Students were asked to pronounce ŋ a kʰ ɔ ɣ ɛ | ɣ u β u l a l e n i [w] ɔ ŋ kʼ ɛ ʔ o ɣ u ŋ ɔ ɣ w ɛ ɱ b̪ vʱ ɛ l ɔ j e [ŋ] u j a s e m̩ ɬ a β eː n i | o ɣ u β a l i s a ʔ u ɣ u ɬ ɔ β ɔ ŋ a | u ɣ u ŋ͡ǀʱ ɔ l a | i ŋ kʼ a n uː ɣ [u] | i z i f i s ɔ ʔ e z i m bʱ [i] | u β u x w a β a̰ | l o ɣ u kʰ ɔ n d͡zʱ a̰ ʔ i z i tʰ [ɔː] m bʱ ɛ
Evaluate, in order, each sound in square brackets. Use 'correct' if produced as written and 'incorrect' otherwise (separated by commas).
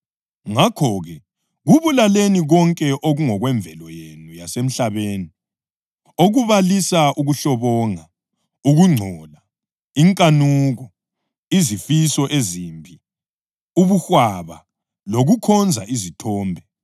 incorrect, incorrect, incorrect, correct, correct